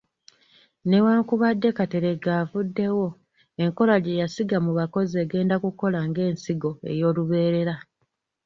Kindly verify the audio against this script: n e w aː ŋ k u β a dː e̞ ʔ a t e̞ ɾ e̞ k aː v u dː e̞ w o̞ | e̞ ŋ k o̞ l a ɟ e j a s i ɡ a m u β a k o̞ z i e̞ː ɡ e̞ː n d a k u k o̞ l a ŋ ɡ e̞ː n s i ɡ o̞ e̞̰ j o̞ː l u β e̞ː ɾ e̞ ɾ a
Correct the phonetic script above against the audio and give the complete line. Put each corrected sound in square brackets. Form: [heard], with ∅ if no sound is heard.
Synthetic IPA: n e w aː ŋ k u β a dː e̞ [k] a t e̞ ɾ e̞ [ɡ] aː v u dː e̞ w o̞ | e̞ ŋ k o̞ l a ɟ e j a s i ɡ a m u β a k o̞ z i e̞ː ɡ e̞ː n d a k u k o̞ l a ŋ ɡ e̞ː n s i ɡ o̞ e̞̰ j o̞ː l u β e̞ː ɾ e̞ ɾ a